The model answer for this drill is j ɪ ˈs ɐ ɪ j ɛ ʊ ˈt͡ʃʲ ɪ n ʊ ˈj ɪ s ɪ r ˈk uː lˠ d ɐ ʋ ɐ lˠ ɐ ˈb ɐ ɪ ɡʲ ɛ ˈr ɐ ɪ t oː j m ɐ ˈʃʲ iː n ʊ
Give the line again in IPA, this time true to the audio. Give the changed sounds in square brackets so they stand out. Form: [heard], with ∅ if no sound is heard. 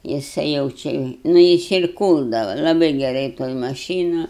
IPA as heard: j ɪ ˈs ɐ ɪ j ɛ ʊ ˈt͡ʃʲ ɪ n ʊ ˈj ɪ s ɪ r ˈk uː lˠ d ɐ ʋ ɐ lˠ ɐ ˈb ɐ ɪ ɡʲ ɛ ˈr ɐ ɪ t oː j m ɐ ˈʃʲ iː n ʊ